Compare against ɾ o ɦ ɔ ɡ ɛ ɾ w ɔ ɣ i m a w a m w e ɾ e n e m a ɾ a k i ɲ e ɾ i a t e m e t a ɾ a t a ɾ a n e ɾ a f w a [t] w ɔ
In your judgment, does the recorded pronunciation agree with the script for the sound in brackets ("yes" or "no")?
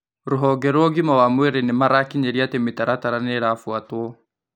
yes